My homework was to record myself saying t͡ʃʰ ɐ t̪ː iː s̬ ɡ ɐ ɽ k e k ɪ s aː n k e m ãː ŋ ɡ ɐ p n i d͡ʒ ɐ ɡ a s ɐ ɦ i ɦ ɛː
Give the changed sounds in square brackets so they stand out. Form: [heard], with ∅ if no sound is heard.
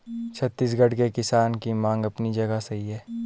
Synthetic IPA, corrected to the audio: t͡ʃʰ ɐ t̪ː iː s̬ ɡ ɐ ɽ k e k ɪ s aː n k [i] m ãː ŋ ɡ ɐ p n i d͡ʒ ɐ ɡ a s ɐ ɦ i ɦ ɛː